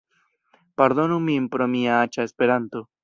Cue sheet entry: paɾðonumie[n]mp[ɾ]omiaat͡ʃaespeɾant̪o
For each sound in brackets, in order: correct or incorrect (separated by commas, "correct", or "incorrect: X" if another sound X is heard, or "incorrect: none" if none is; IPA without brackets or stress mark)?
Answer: incorrect: none, correct